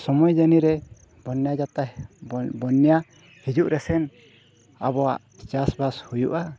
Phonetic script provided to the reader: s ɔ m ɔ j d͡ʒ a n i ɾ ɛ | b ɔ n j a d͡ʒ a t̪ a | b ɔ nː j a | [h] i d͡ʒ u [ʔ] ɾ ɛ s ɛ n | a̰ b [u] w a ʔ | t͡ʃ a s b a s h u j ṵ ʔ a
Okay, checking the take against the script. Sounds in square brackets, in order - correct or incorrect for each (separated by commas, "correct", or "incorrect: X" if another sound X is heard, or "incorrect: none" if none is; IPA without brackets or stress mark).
correct, correct, incorrect: ɔ